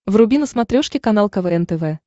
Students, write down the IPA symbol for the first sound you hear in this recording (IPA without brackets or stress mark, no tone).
v